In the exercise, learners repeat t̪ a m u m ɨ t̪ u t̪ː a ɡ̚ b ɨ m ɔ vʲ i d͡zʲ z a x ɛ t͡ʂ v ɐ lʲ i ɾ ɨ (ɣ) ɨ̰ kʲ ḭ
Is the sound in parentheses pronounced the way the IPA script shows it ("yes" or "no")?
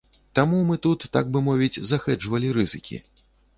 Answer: no